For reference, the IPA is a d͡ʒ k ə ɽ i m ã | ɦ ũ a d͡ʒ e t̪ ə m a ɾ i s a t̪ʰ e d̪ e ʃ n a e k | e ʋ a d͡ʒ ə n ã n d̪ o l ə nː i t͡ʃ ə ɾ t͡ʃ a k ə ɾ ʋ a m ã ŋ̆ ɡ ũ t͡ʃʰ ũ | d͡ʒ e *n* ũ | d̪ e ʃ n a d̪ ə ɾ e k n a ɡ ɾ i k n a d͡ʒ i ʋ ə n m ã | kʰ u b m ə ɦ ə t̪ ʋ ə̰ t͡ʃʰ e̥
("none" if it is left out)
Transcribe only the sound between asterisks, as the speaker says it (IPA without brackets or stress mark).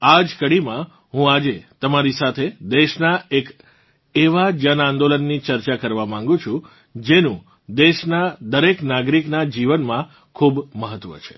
n